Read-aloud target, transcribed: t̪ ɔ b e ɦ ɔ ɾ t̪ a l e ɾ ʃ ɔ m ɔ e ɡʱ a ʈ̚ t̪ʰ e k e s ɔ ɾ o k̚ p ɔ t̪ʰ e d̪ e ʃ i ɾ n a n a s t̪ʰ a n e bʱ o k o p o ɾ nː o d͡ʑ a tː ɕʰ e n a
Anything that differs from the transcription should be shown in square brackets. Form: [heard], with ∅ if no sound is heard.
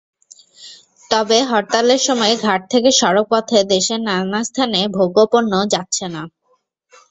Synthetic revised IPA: t̪ ɔ b e ɦ ɔ ɾ t̪ a l e ɾ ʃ ɔ m ɔ e ɡʱ a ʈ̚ t̪ʰ e k e [ʃ] ɔ ɾ o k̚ p ɔ t̪ʰ e d̪ e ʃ [e] ɾ n a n a s t̪ʰ a n e bʱ o [ɡ] o p o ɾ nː o d͡ʑ a tː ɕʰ e n a

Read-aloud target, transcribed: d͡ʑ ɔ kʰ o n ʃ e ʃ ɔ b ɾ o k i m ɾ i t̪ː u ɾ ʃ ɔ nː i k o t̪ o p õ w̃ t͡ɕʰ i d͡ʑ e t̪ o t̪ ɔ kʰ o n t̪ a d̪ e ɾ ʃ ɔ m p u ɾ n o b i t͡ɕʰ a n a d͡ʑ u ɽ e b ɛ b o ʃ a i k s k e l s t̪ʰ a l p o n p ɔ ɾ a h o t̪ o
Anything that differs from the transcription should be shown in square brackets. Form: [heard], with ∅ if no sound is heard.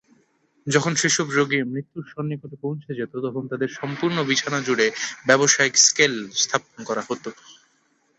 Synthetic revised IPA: d͡ʑ ɔ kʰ o n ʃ e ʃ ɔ b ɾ o [ɡ] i m ɾ i t̪ː u ɾ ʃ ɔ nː i k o t̪ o p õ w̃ t͡ɕʰ [e] d͡ʑ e t̪ o t̪ ɔ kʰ o n t̪ a d̪ e ɾ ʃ ɔ m p u ɾ n o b i t͡ɕʰ a n a d͡ʑ u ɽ e b ɛ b o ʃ a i k s k e l s t̪ʰ a [∅] p o n [k] ɔ ɾ a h o t̪ o

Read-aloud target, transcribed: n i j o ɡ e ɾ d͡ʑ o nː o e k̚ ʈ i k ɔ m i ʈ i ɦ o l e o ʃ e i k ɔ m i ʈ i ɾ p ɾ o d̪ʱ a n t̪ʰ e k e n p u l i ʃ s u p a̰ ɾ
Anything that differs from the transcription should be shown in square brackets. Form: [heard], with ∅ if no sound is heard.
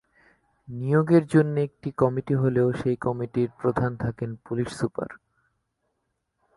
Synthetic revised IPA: n i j o ɡ e ɾ d͡ʑ o nː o e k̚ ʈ i k ɔ m i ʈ i ɦ o l e o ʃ e [j] k ɔ m i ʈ i ɾ p ɾ o d̪ʱ a n t̪ʰ [a] k e n p u l i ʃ s u p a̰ ɾ

